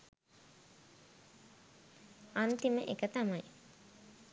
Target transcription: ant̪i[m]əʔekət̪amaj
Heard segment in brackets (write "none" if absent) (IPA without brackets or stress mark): m